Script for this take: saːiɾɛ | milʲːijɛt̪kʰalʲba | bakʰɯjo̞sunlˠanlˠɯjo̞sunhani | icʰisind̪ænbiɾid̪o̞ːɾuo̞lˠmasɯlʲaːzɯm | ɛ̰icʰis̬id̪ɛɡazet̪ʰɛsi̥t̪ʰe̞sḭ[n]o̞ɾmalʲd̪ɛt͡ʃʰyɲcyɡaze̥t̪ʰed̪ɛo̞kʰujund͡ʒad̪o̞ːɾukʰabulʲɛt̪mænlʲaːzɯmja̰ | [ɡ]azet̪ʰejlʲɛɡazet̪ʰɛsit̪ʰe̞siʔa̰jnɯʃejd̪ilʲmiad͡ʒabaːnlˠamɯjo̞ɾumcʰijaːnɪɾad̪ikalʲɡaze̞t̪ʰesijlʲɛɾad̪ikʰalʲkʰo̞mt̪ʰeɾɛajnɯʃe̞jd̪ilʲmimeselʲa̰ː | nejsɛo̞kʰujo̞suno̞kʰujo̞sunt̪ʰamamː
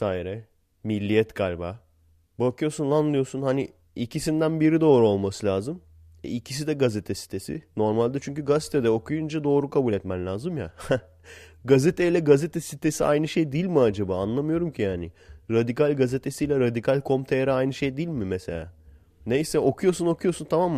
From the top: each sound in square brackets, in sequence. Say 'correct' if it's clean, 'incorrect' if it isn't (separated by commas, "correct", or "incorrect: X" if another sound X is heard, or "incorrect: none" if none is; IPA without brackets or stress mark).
correct, correct